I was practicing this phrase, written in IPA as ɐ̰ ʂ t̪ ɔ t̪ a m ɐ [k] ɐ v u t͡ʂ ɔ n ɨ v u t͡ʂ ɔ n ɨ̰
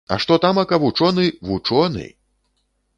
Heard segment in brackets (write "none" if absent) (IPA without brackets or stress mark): k